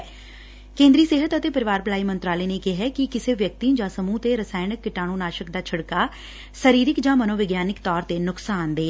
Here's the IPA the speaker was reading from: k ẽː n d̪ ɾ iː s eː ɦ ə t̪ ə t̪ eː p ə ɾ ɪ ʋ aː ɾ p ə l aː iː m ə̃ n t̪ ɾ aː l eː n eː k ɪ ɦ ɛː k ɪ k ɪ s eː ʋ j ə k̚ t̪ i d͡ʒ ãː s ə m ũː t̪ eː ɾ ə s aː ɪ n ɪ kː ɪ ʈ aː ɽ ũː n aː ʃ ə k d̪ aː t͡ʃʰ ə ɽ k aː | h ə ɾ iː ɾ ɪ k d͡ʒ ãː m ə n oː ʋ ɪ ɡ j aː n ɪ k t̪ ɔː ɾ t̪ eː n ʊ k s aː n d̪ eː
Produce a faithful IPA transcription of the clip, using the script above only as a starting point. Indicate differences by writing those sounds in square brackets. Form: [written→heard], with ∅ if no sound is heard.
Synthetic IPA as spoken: k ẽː n d̪ ɾ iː s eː ɦ ə t̪ ə t̪ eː p ə ɾ ɪ ʋ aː ɾ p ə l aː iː m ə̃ n t̪ ɾ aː l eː n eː k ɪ ɦ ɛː k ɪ k ɪ s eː ʋ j ə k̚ t̪ i d͡ʒ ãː s ə m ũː t̪ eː ɾ ə s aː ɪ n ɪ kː ɪ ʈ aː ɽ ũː n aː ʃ ə k d̪ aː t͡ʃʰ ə ɽ k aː | [h→s] ə ɾ iː ɾ ɪ k d͡ʒ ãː m ə n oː ʋ ɪ ɡ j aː n ɪ k t̪ ɔː ɾ t̪ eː n ʊ k s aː n d̪ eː

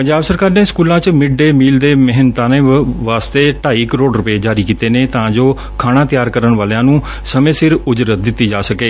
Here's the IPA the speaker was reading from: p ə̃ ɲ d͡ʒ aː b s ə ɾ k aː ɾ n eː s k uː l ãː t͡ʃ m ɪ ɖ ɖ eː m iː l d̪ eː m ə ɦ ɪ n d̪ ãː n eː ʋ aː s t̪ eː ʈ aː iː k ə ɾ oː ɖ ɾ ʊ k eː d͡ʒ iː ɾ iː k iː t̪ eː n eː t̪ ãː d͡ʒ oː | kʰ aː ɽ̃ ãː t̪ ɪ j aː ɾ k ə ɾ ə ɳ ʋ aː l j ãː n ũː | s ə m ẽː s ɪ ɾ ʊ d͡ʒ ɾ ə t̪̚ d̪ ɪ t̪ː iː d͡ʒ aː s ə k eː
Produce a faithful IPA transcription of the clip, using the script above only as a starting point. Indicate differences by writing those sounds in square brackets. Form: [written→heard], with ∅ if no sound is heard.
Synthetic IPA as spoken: p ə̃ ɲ d͡ʒ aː b s ə ɾ k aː ɾ n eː s k uː l ãː t͡ʃ m ɪ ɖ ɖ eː m iː l d̪ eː m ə ɦ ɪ n [d̪→t̪] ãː n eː ʋ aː s t̪ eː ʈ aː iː k ə ɾ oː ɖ ɾ ʊ [k→p] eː d͡ʒ [iː→aː] ɾ iː k iː t̪ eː n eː t̪ ãː d͡ʒ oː | kʰ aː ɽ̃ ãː t̪ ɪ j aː ɾ k ə ɾ ə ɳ ʋ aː l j ãː n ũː | s ə m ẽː s ɪ ɾ ʊ d͡ʒ ɾ ə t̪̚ d̪ ɪ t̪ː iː d͡ʒ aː s ə k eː

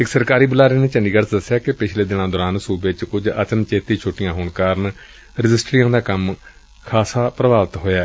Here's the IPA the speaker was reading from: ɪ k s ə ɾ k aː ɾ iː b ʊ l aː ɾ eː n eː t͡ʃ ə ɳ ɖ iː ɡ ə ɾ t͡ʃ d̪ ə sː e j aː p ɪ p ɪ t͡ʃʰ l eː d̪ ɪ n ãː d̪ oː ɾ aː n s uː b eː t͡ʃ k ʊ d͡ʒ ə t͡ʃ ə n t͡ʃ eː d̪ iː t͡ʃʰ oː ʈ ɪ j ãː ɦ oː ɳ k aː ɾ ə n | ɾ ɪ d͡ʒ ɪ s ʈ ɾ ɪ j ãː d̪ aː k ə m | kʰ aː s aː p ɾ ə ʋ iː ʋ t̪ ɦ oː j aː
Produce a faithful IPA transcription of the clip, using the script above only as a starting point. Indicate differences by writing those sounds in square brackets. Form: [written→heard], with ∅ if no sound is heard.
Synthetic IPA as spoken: ɪ k s ə ɾ k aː ɾ iː b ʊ l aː ɾ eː n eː t͡ʃ ə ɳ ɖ iː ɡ ə ɾ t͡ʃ d̪ ə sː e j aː [p→k] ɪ p ɪ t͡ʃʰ l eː d̪ ɪ n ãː d̪ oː ɾ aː n s uː b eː t͡ʃ k ʊ d͡ʒ ə t͡ʃ ə n t͡ʃ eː [d̪→t̪] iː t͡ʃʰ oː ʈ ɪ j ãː ɦ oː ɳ k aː ɾ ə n | ɾ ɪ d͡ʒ ɪ s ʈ ɾ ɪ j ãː d̪ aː k ə m | kʰ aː s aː p ɾ ə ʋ [iː→aː] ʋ t̪ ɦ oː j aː

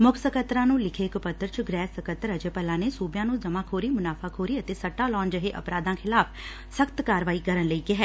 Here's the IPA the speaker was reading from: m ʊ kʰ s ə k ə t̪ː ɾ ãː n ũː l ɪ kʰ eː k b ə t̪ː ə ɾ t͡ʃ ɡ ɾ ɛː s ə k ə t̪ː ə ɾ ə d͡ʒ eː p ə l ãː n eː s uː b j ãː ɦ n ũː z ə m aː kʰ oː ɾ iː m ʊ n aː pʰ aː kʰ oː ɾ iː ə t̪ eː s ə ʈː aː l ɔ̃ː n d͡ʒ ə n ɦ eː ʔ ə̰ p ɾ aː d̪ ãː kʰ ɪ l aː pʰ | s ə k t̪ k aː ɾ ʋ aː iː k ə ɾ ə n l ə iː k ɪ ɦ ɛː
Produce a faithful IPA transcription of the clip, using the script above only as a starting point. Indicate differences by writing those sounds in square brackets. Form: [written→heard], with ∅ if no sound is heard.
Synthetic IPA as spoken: m ʊ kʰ s ə k ə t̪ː ɾ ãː n ũː l ɪ kʰ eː k [b→p] ə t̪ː ə ɾ t͡ʃ ɡ ɾ ɛː s ə k ə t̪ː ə ɾ ə d͡ʒ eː p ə l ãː n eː s uː b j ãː [ɦ→∅] n ũː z ə m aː kʰ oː ɾ iː m ʊ n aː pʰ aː kʰ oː ɾ iː ə t̪ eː s ə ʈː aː l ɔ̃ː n d͡ʒ ə [n→∅] ɦ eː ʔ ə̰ p ɾ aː d̪ ãː kʰ ɪ l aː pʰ | s ə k t̪ k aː ɾ ʋ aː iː k ə ɾ ə n l ə iː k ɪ ɦ ɛː

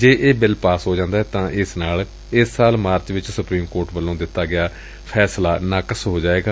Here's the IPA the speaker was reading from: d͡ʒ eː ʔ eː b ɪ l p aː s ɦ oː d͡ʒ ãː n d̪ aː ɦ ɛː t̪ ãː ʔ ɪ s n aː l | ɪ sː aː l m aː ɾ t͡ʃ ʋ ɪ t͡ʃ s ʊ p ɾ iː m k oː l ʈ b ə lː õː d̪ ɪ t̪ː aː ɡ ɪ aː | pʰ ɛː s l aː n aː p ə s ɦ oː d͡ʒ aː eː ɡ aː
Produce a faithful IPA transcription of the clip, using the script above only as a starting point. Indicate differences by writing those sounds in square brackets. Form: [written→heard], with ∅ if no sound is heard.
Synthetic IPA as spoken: d͡ʒ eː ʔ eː b ɪ l p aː s ɦ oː d͡ʒ ãː n d̪ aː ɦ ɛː t̪ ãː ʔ ɪ s n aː l | ɪ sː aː l m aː ɾ t͡ʃ ʋ ɪ t͡ʃ s ʊ p ɾ iː m k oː [l→ɾ] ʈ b ə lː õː d̪ ɪ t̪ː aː ɡ ɪ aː | pʰ ɛː s l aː n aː [p→k] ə s ɦ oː d͡ʒ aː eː ɡ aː

